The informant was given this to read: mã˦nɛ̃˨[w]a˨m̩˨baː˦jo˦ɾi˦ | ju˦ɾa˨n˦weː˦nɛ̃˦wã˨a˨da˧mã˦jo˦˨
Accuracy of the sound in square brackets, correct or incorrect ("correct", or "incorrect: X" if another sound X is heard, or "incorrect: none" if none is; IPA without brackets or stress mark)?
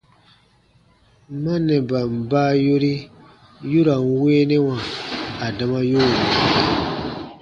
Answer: incorrect: b